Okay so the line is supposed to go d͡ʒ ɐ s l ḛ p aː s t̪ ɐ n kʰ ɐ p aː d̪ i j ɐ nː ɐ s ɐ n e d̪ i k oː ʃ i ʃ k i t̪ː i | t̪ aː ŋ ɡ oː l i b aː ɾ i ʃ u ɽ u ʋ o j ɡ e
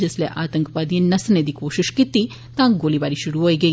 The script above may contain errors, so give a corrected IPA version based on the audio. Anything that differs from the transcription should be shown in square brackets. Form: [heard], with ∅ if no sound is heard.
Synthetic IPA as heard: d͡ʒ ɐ s l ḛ [ʔ] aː [∅] t̪ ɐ [ŋ] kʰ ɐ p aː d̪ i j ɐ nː ɐ s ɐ n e d̪ i k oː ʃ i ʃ k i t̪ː i | t̪ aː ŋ ɡ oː l i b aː ɾ i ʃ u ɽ u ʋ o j ɡ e